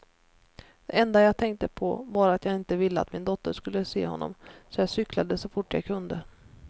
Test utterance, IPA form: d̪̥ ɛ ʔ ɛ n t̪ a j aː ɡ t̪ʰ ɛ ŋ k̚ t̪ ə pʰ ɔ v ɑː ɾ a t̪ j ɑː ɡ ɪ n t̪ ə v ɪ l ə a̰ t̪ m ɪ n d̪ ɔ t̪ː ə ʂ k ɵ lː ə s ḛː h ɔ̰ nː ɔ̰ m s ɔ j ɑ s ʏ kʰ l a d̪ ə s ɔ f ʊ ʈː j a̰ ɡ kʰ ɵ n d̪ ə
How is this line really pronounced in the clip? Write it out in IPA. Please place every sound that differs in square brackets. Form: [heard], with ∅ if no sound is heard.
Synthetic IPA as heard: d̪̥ ɛ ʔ ɛ n [d̪] a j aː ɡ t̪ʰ ɛ ŋ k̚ t̪ ə pʰ ɔ v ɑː ɾ a t̪ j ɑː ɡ ɪ n t̪ ə v ɪ [lː] ə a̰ t̪ m ɪ n d̪ ɔ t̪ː ə ʂ k ɵ lː ə s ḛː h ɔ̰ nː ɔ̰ m s ɔ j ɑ s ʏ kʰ l a d̪ ə s ɔ f ʊ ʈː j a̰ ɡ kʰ ɵ n d̪ ə